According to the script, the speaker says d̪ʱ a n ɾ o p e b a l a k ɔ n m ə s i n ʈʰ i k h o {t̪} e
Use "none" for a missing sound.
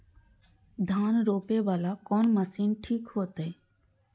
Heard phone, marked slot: t̪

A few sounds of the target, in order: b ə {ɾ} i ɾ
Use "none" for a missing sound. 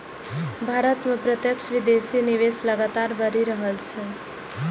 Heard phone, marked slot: ɾ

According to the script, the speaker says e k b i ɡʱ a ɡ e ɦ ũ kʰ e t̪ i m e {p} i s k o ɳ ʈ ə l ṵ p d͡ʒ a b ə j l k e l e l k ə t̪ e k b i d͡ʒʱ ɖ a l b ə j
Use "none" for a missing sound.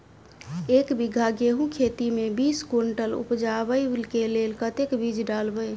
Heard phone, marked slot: b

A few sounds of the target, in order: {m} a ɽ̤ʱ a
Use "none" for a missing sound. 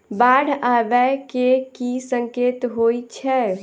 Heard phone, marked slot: b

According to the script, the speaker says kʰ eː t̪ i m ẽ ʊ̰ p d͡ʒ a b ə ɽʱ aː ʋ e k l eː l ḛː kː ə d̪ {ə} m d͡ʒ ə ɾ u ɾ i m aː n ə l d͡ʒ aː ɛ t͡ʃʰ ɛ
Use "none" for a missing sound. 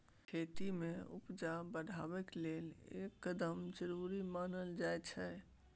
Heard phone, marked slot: ə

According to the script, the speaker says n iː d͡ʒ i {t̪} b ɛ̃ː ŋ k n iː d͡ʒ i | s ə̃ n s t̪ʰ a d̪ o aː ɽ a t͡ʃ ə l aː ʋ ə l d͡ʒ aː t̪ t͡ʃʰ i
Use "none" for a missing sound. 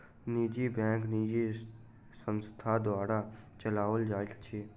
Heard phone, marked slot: none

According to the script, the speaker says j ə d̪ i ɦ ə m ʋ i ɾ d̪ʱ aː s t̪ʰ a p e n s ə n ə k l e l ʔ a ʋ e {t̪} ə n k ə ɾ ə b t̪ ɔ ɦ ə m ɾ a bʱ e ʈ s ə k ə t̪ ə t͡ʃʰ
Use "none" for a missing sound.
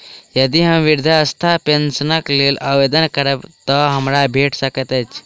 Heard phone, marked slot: d̪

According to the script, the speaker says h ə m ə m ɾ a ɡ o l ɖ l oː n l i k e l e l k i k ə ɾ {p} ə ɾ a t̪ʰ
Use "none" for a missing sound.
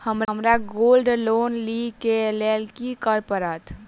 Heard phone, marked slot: p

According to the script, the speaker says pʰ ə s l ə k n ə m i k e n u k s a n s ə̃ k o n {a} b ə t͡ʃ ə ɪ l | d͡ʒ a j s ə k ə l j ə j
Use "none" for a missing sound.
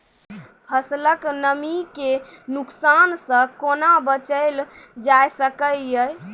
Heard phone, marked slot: a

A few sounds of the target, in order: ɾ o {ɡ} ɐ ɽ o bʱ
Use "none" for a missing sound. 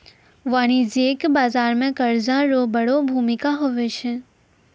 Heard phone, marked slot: b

